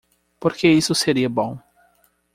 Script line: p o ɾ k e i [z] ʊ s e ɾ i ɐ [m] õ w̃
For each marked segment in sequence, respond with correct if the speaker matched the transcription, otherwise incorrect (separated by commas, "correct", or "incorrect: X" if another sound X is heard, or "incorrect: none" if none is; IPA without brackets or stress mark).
incorrect: s, incorrect: b